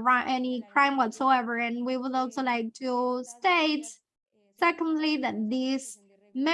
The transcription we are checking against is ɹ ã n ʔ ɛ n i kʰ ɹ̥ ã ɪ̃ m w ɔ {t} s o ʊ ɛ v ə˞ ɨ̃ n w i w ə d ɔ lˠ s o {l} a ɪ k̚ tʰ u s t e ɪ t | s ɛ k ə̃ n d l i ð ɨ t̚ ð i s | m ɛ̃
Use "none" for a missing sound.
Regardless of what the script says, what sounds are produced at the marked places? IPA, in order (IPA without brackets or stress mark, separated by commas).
t, l